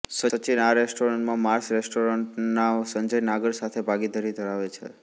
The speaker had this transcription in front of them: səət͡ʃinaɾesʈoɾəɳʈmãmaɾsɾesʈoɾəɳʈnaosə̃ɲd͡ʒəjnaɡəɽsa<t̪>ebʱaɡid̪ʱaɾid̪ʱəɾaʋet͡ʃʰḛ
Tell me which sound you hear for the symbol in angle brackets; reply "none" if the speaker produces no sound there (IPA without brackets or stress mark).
t̪ʰ